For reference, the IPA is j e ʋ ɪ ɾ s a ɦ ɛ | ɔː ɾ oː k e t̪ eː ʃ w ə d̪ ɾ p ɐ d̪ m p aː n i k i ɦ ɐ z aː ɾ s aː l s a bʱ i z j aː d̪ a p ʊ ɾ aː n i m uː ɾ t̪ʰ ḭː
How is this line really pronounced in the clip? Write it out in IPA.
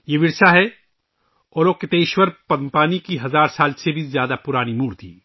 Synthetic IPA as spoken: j e ʋ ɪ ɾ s a ɦ ɛ | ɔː ɾ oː k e t̪ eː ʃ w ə ɾ p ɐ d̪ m p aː n i k i ɦ ɐ z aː ɾ s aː l s e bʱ i z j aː d̪ a p ʊ ɾ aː n i m uː ɾ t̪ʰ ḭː